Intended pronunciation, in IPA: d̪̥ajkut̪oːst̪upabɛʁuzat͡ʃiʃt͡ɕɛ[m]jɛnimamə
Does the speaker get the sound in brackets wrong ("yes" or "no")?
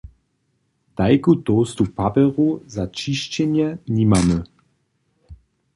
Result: yes